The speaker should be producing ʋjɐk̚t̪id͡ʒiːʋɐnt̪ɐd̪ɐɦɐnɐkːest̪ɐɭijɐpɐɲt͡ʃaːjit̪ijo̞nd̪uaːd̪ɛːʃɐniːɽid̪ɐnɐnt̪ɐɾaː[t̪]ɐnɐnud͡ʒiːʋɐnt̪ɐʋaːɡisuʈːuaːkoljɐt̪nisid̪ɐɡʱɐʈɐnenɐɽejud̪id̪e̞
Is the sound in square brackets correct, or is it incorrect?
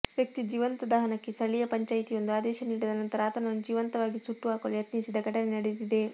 correct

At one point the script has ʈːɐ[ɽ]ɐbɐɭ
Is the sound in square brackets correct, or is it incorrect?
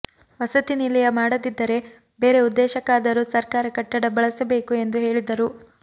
correct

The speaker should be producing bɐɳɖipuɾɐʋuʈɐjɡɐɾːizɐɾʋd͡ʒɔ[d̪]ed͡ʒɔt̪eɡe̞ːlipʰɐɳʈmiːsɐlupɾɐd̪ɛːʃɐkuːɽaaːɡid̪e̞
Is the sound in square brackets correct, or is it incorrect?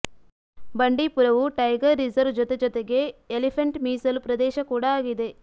incorrect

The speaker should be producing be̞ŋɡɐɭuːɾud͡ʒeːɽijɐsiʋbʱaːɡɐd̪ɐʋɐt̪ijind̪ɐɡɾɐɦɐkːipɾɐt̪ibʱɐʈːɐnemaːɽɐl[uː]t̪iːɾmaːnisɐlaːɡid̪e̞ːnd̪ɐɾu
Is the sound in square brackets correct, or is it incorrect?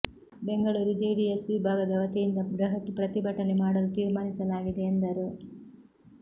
incorrect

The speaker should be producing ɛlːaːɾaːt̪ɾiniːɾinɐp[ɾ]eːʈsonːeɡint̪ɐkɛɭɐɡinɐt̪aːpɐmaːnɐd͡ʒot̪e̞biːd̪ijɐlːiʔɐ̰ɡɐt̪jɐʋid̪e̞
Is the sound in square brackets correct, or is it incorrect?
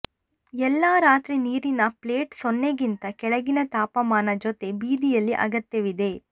incorrect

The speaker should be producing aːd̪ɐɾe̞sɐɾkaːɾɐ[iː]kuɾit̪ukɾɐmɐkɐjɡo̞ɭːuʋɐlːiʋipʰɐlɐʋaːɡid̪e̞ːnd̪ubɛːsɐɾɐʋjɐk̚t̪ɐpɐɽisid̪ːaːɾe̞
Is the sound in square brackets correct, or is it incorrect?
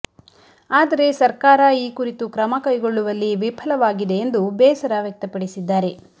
correct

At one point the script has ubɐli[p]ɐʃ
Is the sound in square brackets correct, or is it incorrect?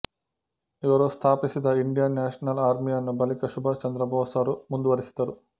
incorrect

